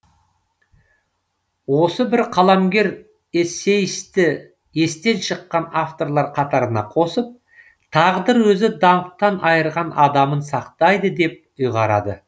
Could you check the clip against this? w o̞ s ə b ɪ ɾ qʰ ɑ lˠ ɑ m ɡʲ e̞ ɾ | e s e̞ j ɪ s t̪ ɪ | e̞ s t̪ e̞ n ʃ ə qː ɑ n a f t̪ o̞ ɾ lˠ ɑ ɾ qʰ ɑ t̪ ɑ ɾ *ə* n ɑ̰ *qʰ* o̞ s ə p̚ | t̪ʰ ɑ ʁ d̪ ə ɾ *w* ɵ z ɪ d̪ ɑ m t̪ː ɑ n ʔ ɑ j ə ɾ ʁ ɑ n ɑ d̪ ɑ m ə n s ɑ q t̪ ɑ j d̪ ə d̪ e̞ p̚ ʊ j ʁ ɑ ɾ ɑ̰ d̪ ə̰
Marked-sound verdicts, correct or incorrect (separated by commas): correct, correct, correct